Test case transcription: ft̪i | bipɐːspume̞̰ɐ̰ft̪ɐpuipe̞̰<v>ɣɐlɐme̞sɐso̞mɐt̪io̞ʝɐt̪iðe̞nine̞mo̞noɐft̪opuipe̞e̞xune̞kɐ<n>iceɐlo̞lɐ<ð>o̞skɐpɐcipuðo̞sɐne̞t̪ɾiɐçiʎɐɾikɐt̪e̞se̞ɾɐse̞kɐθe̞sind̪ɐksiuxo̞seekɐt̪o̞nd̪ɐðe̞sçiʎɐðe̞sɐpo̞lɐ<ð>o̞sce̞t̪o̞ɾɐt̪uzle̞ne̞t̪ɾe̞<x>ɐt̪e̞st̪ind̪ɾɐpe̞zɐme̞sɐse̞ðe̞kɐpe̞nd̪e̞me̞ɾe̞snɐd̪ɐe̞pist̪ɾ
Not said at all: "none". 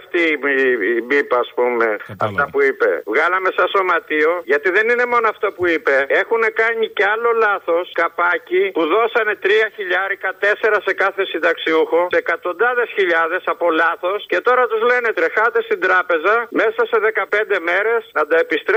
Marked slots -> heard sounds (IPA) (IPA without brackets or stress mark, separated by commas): v, ɲ, θ, θ, x